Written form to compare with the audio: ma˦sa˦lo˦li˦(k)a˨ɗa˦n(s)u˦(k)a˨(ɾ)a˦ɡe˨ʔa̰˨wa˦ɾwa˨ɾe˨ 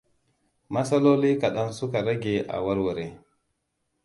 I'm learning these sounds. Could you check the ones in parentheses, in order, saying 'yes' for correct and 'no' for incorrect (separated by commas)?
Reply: yes, yes, yes, yes